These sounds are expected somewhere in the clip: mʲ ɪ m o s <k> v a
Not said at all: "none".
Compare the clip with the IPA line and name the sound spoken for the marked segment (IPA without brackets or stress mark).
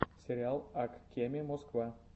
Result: k